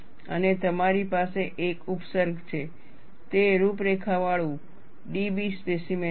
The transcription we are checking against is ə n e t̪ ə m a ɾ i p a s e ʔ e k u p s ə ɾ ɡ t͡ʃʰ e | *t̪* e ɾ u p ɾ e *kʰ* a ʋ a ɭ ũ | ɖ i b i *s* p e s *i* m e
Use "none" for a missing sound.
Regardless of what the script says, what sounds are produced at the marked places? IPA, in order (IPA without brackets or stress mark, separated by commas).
t̪, kʰ, s, i